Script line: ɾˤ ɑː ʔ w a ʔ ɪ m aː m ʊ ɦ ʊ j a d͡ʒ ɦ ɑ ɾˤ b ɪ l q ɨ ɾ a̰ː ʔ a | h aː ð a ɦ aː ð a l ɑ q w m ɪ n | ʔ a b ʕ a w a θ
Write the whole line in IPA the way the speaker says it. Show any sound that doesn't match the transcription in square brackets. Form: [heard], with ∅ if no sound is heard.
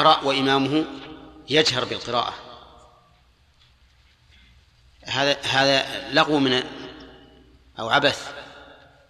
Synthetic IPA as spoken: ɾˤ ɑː ʔ w a ʔ ɪ m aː m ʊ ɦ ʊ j a d͡ʒ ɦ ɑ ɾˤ b ɪ l q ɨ ɾ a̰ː ʔ a | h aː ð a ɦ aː ð a l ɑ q w m ɪ n | ʔ a [w] ʕ a [b] a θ